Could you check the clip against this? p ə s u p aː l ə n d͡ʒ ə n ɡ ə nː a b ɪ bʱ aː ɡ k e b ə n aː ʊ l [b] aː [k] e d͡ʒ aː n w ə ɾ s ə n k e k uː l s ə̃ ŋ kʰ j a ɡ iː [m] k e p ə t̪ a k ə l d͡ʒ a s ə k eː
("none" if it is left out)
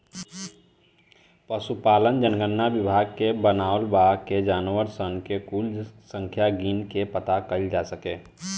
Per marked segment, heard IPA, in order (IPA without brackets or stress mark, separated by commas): b, k, n